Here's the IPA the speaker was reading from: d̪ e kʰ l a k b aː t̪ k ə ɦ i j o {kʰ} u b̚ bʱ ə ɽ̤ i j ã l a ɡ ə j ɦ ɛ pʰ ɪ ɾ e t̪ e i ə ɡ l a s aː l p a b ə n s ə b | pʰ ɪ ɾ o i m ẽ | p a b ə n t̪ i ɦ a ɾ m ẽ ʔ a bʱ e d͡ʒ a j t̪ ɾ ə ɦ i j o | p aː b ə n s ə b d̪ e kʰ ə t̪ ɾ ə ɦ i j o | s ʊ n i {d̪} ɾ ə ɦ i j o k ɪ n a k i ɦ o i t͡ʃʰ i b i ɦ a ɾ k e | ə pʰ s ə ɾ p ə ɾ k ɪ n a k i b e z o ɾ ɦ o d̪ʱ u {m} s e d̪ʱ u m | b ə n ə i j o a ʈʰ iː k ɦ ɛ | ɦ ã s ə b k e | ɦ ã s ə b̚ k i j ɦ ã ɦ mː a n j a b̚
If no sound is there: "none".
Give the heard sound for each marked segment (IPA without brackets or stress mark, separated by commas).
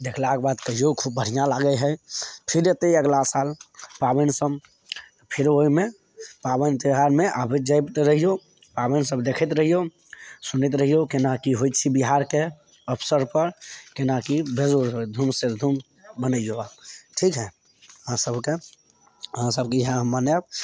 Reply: kʰ, t̪, m